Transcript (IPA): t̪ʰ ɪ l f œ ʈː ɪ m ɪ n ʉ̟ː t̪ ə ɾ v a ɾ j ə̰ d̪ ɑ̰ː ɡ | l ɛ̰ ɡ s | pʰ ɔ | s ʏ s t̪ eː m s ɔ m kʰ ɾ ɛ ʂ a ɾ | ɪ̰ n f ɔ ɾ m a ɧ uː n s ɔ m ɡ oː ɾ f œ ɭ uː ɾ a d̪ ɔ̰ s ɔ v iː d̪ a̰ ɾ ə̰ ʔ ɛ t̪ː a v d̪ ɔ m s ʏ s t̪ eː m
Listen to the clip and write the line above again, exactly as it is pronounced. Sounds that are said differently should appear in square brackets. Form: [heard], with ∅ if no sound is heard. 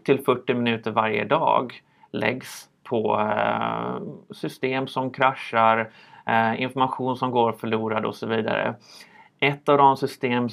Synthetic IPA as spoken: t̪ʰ ɪ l f œ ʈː ɪ m ɪ n ʉ̟ː t̪ ə ɾ v a ɾ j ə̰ d̪ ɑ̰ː ɡ | l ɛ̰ ɡ s | pʰ ɔ | s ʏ s t̪ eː m s ɔ m kʰ ɾ [a] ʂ a ɾ | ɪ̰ n f ɔ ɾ m a ɧ uː n s ɔ m ɡ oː ɾ f œ ɭ uː ɾ a d̪ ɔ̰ s ɔ v iː d̪ a̰ ɾ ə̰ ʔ ɛ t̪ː a v d̪ ɔ m s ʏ s t̪ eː m